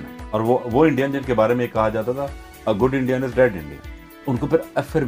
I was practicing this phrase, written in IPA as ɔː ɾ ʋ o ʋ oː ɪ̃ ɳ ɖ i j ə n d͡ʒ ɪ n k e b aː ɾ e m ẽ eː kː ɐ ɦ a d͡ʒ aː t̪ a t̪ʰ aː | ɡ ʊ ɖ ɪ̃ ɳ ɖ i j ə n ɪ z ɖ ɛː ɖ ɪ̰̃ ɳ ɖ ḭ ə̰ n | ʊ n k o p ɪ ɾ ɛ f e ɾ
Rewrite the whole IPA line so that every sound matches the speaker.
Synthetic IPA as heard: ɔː ɾ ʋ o ʋ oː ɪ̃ ɳ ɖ i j ə n d͡ʒ ɪ n k e b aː ɾ e m ẽ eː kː ɐ ɦ a d͡ʒ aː t̪ a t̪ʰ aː | ɡ ʊ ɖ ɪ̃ ɳ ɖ i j ə n ɪ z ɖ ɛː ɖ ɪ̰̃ ɳ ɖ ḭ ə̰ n | ʊ n k o p ɪ ɾ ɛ f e ɾ